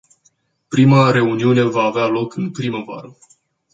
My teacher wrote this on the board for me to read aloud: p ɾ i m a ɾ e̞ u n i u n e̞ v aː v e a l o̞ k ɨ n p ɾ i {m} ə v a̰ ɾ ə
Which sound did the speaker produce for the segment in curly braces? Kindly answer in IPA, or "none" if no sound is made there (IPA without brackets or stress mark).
m